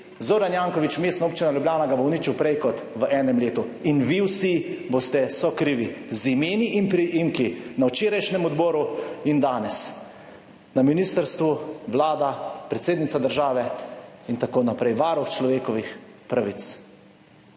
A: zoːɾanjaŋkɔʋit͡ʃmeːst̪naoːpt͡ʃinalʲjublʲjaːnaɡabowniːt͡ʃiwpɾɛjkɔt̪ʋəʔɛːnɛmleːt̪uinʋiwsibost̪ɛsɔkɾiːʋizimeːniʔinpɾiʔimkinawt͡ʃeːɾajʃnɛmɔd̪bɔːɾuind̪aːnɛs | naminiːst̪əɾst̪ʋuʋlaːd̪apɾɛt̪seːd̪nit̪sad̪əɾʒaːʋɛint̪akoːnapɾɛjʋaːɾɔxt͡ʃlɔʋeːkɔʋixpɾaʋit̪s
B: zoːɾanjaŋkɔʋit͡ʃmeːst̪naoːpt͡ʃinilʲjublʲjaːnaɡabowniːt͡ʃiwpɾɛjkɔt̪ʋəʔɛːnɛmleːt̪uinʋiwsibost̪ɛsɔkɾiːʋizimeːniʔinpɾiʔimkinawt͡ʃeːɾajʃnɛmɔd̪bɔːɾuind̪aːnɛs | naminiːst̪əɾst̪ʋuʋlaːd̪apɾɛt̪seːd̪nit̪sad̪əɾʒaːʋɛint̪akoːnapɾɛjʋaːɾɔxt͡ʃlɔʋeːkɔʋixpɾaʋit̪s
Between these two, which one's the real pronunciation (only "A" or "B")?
A